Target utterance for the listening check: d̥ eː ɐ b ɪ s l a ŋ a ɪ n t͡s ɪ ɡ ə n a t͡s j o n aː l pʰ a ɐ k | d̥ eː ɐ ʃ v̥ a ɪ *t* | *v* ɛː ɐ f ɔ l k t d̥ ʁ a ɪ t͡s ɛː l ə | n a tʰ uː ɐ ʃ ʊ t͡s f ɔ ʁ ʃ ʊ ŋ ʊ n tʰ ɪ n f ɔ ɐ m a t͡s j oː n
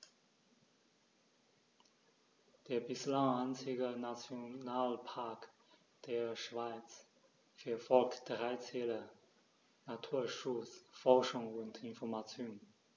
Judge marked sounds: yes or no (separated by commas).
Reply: no, no